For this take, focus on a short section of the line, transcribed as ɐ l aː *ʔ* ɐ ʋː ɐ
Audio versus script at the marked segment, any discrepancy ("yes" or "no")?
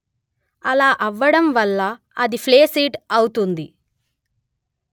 no